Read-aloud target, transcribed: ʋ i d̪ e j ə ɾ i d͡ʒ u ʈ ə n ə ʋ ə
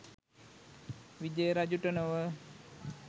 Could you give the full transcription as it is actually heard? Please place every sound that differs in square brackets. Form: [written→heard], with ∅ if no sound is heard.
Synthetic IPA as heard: ʋ i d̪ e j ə ɾ [i→a] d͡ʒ u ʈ ə n ə ʋ ə